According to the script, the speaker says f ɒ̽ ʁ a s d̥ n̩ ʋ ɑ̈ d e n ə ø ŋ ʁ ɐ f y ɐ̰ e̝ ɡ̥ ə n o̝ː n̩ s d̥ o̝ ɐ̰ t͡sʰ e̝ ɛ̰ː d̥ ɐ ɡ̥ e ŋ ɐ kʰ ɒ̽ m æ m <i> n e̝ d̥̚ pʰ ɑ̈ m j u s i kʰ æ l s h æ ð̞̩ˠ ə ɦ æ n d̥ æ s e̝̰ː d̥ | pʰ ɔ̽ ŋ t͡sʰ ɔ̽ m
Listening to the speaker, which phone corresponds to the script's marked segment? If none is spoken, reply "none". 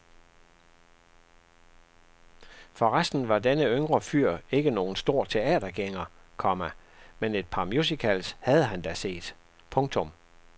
e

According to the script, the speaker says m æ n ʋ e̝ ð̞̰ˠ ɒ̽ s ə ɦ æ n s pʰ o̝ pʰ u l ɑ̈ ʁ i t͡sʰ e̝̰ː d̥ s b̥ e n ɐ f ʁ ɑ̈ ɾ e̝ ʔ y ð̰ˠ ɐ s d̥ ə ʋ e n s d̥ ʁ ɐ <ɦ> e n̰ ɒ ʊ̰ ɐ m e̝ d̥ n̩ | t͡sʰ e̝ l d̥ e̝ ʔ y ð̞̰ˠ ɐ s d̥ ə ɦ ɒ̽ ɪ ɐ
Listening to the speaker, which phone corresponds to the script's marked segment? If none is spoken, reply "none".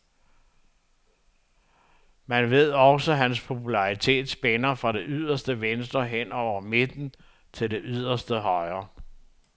ɦ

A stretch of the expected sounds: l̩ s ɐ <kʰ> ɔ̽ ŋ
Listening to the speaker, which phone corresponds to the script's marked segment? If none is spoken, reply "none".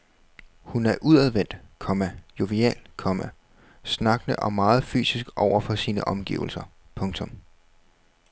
pʰ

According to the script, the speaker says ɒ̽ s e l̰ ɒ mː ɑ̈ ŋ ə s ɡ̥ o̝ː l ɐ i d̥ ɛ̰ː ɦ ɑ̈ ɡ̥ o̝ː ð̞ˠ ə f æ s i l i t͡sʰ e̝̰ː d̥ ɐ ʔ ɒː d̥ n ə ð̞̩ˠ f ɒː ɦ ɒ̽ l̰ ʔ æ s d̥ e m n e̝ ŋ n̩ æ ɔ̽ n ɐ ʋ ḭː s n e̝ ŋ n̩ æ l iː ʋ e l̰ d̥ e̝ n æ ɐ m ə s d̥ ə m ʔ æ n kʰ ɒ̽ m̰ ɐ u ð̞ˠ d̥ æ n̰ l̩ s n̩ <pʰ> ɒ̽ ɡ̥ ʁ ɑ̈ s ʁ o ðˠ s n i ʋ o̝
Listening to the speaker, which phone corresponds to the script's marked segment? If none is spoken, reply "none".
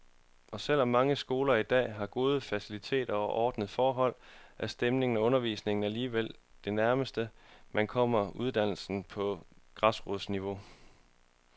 pʰ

